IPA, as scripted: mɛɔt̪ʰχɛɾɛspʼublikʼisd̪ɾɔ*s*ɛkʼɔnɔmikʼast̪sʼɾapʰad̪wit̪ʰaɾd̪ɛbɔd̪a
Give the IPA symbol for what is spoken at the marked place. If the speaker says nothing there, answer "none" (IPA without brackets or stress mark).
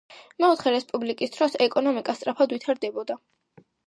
s